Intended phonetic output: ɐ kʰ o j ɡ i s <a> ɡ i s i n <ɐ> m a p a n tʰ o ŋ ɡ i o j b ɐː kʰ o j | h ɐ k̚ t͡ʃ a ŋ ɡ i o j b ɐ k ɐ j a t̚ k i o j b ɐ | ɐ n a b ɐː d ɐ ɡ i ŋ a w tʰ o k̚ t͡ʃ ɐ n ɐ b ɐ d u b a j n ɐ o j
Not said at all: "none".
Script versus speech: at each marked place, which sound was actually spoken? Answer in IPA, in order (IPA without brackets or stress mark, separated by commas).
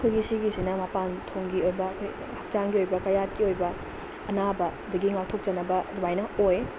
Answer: i, ɐ